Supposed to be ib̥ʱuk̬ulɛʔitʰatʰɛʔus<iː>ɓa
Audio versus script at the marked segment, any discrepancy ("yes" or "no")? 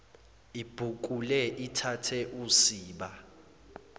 no